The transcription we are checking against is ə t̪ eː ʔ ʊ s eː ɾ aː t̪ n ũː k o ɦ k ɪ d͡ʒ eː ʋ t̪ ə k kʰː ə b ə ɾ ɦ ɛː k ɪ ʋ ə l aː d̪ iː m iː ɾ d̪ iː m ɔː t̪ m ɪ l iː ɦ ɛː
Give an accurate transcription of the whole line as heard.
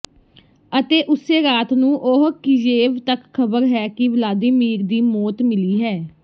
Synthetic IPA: ə t̪ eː ʔ ʊ s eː ɾ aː t̪ n ũː ʔ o ɦ k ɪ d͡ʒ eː ʋ t̪ ə k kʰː ə b ə ɾ ɦ ɛː k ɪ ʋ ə l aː d̪ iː m iː ɾ d̪ iː m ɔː t̪ m ɪ l iː ɦ ɛː